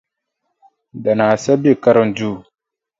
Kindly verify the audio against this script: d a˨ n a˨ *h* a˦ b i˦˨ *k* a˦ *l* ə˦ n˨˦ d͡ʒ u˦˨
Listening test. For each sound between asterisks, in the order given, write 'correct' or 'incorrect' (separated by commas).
incorrect, correct, incorrect